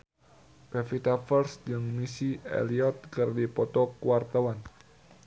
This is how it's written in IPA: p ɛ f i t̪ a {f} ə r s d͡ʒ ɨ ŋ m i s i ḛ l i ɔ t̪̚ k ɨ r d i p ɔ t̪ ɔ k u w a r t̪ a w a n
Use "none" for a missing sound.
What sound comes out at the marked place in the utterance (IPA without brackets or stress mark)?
f